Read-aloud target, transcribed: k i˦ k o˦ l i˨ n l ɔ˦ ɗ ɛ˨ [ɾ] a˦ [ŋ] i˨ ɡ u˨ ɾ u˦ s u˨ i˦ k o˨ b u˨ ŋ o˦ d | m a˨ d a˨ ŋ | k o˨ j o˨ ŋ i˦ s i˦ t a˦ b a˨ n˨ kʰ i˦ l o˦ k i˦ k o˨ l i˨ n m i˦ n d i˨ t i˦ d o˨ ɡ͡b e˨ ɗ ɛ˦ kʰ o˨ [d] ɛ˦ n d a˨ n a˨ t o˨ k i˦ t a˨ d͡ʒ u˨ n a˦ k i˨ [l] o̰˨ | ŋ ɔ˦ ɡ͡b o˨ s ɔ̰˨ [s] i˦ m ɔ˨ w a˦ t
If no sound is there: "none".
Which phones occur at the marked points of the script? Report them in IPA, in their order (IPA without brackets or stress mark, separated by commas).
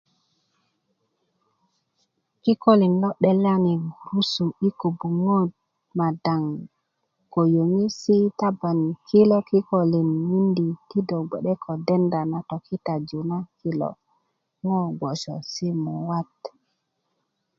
l, n, d, l, s